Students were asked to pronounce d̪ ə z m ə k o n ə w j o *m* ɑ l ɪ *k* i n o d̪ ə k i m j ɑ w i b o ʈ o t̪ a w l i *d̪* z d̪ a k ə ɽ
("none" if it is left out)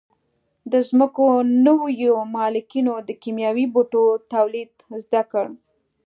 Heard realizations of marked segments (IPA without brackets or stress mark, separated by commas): m, k, d̪